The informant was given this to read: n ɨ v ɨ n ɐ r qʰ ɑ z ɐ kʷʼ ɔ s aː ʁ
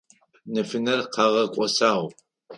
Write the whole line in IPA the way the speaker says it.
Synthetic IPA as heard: n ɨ f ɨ n ɐ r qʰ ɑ ʁ ɐ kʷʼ ɔ s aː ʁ